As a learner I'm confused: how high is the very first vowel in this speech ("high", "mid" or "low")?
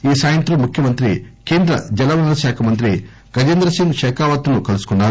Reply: high